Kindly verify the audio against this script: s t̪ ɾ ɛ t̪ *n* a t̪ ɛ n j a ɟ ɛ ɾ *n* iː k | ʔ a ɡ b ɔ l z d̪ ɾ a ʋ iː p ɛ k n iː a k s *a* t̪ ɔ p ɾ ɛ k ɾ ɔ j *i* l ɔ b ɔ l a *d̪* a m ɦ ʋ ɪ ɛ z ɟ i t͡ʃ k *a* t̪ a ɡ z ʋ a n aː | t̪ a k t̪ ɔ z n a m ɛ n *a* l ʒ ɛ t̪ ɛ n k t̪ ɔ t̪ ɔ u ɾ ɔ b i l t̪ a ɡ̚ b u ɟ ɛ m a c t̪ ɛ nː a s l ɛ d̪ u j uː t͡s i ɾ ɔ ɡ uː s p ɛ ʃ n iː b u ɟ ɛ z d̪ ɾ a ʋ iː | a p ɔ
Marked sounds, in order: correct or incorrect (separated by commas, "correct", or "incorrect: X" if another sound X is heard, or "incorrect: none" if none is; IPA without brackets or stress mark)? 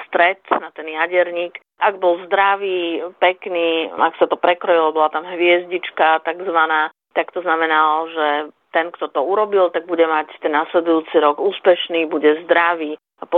correct, incorrect: ɲ, correct, correct, incorrect: t̪, correct, correct